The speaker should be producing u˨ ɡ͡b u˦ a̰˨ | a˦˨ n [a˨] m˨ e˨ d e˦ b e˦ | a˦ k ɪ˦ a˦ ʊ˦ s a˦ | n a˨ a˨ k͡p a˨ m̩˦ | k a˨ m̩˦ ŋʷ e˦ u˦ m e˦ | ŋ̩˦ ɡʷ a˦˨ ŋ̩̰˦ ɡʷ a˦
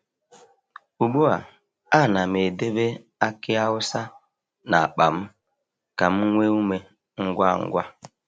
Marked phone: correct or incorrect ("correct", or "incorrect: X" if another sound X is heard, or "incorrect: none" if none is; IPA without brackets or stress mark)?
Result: correct